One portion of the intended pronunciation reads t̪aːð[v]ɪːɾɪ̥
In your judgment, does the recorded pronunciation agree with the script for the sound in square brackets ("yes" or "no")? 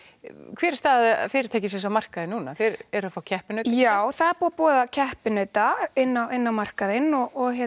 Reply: no